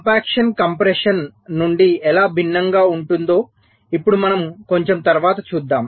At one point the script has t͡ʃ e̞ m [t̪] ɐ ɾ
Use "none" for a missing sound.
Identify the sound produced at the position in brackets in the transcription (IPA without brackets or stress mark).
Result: t̪